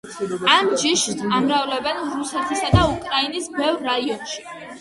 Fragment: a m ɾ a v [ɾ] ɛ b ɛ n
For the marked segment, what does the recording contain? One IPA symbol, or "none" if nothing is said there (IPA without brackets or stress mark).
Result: l